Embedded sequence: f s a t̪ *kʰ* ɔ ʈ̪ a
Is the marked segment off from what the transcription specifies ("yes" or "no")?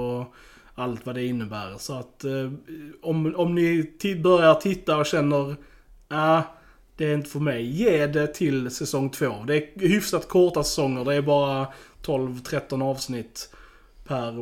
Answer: no